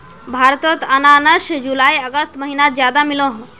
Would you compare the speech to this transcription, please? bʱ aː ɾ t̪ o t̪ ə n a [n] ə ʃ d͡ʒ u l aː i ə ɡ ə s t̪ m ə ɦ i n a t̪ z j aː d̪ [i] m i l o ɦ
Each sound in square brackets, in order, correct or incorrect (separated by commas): correct, incorrect